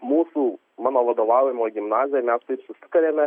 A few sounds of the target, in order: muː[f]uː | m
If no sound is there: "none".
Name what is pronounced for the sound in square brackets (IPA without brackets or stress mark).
s